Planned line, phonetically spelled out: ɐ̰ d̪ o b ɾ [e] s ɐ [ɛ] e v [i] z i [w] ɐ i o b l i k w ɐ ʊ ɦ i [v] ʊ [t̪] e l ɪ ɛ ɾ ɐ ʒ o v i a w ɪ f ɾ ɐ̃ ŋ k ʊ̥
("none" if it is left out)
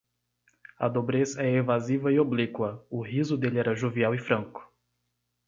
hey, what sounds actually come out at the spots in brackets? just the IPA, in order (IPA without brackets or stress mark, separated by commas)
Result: e, ɛ, a, v, z, d̪